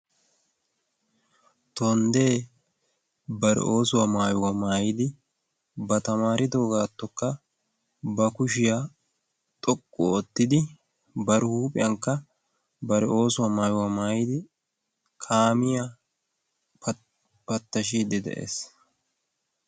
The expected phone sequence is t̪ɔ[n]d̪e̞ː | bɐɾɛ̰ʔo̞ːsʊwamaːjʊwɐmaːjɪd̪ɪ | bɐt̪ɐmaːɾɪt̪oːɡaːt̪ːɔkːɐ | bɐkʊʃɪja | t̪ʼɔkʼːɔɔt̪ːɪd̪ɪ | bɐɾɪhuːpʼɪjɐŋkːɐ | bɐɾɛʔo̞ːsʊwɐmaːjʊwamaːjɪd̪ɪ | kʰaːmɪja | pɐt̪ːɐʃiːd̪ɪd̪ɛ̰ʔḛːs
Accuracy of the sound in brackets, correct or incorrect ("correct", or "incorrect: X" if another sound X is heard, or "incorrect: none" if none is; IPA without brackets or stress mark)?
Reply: correct